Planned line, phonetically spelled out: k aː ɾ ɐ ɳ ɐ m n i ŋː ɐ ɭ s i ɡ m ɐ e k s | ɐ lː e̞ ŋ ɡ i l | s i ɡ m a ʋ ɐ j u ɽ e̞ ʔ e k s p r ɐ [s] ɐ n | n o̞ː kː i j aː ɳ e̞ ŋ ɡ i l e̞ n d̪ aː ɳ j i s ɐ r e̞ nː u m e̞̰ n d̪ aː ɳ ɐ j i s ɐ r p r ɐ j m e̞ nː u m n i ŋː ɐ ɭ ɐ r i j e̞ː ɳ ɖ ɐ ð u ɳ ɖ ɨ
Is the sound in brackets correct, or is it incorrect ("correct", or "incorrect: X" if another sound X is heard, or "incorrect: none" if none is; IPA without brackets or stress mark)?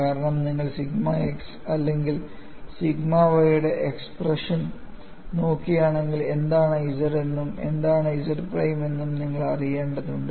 incorrect: ʂ